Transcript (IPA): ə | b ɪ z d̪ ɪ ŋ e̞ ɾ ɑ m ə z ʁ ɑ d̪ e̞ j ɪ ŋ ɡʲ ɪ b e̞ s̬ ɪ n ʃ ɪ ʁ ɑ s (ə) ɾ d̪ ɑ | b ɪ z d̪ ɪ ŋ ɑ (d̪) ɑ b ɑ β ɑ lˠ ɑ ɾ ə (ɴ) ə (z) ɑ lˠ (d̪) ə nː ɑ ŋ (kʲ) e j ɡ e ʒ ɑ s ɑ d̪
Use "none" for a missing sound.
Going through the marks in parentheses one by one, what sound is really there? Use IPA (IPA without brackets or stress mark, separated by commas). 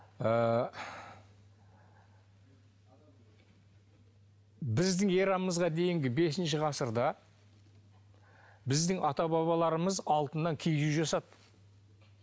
ə, t̪, m, z, t̪, kʲʰ